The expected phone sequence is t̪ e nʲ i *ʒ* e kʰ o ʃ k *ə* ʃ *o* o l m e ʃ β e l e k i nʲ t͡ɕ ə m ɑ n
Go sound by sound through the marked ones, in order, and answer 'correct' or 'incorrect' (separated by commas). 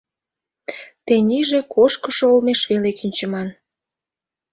correct, correct, correct